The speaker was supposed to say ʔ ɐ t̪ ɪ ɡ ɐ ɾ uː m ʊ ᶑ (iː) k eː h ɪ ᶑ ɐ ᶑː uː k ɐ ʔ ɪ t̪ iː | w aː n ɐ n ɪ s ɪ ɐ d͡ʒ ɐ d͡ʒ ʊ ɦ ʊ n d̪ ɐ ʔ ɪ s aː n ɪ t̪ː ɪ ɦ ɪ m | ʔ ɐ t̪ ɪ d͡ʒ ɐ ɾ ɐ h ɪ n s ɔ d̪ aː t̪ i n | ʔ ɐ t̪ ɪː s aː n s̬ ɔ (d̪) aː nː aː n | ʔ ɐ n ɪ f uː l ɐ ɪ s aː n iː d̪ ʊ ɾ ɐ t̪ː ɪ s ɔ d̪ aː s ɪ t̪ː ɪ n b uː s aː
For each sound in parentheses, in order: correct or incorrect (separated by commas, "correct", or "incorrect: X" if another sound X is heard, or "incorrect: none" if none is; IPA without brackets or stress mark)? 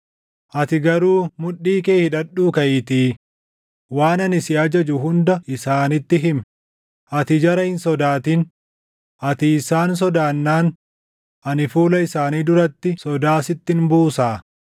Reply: correct, correct